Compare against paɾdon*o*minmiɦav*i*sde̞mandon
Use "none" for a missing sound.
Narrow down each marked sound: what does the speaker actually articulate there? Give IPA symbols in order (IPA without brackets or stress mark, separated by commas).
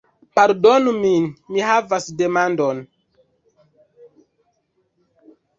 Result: u, a